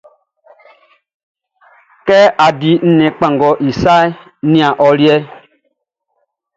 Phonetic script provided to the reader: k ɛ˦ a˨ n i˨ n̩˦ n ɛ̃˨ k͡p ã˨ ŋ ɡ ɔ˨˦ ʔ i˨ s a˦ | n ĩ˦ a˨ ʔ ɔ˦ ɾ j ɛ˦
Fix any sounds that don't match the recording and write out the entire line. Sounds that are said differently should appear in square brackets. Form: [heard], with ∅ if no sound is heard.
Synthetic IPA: k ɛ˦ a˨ [d] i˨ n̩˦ n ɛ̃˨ k͡p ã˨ ŋ ɡ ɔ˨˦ ʔ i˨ s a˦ | n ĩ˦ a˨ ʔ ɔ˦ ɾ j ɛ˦